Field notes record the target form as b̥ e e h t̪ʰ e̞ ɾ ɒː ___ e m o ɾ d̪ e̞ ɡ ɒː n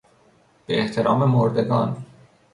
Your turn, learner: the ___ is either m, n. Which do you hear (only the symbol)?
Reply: m